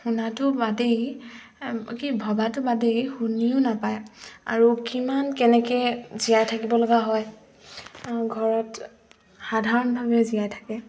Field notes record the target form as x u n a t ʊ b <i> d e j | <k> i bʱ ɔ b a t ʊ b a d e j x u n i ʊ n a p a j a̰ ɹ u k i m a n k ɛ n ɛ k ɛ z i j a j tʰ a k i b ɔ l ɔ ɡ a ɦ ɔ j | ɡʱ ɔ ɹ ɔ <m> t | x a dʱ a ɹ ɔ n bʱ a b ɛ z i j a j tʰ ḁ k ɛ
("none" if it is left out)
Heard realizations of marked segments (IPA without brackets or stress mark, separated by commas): a, k, none